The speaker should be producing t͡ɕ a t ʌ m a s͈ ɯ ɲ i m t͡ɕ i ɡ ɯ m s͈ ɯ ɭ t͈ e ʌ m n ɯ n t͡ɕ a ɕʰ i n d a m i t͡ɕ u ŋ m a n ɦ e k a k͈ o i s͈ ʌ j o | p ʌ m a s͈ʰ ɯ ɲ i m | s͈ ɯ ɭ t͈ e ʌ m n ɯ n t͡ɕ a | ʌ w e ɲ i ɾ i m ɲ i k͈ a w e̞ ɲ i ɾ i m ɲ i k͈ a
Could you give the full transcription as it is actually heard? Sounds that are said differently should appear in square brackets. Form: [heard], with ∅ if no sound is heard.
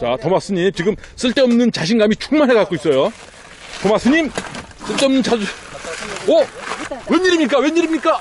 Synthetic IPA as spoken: t͡ɕ a t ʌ m a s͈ ɯ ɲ i m t͡ɕ i ɡ ɯ m s͈ ɯ ɭ t͈ e ʌ m n ɯ n t͡ɕ a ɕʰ i n [ɡ] a m i t͡ɕ u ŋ m a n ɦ e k a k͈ o i s͈ ʌ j o | [t] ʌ m a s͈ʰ ɯ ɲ i m | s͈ ɯ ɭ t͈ e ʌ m n ɯ n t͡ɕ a | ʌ w e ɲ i ɾ i m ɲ i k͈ a w e̞ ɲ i ɾ i m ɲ i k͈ a